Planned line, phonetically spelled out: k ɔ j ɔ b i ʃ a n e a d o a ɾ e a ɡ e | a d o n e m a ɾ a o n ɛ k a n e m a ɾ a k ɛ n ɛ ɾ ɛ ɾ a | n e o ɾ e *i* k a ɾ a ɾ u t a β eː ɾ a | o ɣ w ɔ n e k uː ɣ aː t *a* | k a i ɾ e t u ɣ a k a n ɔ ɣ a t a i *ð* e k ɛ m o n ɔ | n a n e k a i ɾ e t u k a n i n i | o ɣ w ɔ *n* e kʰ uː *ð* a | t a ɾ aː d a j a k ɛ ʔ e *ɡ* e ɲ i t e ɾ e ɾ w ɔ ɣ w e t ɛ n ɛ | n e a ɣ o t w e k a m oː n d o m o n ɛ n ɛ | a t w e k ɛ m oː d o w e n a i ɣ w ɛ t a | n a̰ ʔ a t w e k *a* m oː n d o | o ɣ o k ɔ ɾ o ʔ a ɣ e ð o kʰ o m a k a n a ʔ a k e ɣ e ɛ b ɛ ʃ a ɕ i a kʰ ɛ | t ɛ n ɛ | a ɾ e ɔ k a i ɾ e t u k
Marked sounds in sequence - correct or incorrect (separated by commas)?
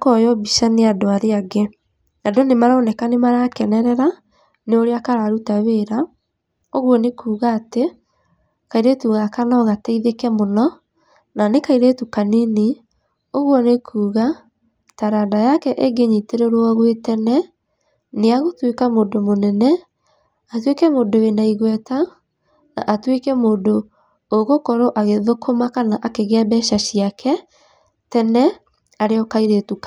incorrect, incorrect, correct, correct, incorrect, correct, incorrect